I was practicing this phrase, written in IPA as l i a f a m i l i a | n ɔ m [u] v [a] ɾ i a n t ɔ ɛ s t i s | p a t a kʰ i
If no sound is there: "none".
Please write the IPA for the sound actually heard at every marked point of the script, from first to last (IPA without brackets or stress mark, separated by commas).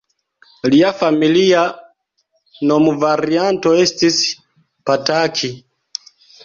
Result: u, a